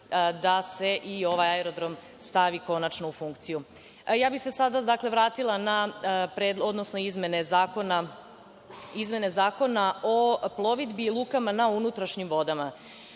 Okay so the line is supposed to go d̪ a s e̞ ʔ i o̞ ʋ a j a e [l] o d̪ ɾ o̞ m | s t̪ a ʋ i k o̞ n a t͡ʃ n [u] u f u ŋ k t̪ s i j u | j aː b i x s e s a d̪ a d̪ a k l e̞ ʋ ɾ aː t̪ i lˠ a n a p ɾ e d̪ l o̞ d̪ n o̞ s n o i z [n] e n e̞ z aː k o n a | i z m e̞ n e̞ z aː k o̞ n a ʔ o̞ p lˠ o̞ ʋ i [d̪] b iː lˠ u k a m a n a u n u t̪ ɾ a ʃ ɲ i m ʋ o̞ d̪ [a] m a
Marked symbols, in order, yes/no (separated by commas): no, no, no, yes, yes